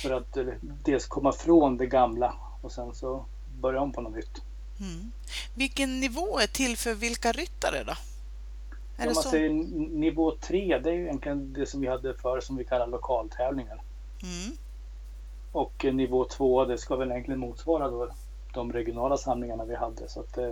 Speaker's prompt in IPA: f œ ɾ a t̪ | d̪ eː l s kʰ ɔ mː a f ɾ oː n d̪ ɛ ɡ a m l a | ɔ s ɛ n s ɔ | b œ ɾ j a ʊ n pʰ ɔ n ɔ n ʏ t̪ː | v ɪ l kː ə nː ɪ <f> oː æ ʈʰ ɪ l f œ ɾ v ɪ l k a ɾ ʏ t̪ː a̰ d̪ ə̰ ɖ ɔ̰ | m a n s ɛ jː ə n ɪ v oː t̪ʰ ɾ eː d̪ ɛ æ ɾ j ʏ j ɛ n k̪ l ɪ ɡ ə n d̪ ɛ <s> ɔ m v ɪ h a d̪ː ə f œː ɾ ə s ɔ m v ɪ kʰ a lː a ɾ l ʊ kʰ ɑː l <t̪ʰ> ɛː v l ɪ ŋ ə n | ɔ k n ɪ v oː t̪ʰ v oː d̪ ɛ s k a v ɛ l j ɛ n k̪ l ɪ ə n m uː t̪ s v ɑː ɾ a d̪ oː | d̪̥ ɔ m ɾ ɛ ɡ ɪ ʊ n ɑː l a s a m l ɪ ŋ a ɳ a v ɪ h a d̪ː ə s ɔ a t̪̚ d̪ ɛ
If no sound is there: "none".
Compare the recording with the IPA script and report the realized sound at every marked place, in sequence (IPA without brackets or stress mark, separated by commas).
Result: v, s, t̪ʰ